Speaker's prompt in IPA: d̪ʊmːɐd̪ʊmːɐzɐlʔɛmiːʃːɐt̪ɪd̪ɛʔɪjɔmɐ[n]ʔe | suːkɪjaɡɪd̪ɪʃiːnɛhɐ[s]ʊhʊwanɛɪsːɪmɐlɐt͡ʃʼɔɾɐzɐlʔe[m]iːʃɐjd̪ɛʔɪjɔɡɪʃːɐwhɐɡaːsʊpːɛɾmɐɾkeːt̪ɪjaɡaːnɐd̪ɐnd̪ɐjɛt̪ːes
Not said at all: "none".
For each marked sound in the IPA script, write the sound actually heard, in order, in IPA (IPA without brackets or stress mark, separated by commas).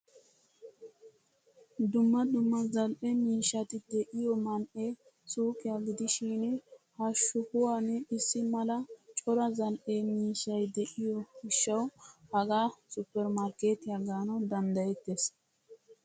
n, ʃ, m